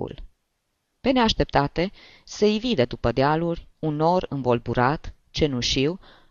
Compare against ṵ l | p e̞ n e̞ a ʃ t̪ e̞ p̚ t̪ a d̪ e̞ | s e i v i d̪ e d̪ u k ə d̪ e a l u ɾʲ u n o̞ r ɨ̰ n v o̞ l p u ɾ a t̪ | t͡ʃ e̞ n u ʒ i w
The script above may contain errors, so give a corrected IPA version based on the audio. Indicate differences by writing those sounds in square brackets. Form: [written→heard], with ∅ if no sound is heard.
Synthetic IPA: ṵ l | p e̞ n e̞ a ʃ t̪ e̞ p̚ t̪ a [d̪→t̪] e̞ | s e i v i d̪ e d̪ u [k→p] ə d̪ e a l u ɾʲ u n o̞ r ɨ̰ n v o̞ l [p→b] u ɾ a t̪ | t͡ʃ e̞ n u [ʒ→ʃ] i w